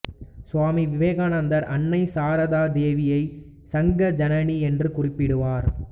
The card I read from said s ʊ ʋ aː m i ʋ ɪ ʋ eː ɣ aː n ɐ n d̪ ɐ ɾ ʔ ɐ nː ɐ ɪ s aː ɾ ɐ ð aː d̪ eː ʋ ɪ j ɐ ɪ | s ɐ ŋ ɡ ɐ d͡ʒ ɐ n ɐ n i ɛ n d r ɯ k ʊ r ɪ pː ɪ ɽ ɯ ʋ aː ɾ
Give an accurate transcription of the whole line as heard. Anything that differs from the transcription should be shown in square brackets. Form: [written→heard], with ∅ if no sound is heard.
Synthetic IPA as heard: s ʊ ʋ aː m i ʋ ɪ ʋ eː ɣ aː n ɐ n d̪ ɐ ɾ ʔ ɐ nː ɐ ɪ s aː ɾ ɐ ð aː d̪ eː ʋ ɪ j ɐ ɪ | s ɐ ŋ ɡ ɐ d͡ʒ ɐ n ɐ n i ɛ n d r ɯ k ʊ r ɪ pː ɪ ɽ ɯ ʋ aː ɾ